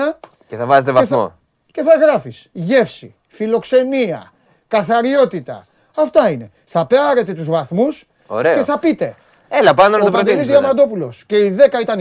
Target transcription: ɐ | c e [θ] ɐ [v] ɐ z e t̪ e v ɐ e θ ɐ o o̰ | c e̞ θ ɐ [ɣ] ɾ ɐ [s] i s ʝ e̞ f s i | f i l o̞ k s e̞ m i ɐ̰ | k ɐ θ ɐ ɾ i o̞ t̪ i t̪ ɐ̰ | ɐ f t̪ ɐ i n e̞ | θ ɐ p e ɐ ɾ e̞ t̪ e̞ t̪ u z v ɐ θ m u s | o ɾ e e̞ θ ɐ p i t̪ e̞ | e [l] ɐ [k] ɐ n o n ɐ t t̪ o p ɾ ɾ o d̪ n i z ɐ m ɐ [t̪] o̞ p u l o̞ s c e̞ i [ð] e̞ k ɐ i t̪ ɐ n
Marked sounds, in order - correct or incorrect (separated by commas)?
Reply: correct, correct, correct, incorrect, correct, incorrect, incorrect, correct